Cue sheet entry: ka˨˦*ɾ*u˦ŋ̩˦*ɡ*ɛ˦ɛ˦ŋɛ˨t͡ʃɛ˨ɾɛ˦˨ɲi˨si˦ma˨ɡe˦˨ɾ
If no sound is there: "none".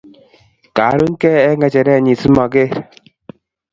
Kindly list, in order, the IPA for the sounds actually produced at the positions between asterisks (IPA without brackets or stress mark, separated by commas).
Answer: ɾ, k